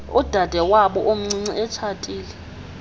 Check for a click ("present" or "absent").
present